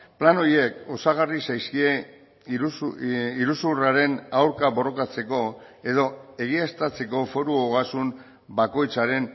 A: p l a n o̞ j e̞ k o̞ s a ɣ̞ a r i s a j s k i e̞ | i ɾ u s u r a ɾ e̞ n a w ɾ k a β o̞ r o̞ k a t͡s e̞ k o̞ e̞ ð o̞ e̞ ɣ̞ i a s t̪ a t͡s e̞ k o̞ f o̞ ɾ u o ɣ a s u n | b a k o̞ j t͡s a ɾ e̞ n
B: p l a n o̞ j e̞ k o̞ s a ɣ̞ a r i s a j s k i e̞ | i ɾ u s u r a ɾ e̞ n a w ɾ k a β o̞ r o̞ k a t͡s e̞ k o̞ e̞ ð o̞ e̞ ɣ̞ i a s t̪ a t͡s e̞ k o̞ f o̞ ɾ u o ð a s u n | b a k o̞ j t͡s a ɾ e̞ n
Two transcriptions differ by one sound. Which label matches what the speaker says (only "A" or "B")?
A